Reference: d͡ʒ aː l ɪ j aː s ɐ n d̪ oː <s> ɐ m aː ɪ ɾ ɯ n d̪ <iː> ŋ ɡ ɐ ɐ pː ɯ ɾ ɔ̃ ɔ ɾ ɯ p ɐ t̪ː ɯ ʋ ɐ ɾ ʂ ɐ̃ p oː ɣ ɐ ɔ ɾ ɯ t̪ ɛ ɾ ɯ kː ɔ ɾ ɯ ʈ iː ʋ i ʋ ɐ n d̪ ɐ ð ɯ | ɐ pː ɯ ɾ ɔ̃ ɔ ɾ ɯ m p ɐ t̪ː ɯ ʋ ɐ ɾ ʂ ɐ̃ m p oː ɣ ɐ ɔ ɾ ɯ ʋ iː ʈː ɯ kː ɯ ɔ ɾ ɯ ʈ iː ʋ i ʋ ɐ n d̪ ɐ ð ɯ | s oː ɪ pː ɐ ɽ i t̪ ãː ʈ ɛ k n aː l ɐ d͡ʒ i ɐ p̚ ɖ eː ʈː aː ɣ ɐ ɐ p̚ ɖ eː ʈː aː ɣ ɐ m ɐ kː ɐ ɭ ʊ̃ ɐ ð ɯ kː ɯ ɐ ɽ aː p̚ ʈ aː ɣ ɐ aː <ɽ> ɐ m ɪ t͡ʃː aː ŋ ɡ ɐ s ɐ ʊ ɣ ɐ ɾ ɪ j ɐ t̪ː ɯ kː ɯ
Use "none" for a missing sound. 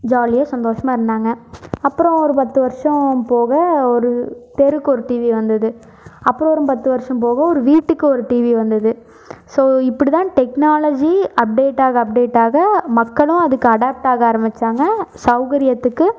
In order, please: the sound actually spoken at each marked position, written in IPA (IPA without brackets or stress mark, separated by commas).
ʂ, aː, ɾ